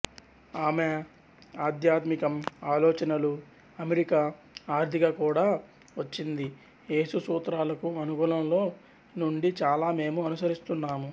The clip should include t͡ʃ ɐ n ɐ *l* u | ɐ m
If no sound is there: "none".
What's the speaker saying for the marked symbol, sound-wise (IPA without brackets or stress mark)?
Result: l